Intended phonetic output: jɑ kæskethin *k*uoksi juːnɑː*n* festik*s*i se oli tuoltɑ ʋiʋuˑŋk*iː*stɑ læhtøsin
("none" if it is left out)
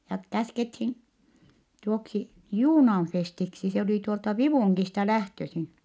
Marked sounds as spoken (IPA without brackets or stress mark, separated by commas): t, n, s, i